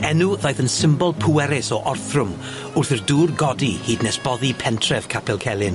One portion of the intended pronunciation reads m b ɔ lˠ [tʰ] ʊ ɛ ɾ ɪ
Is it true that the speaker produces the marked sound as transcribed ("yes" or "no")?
no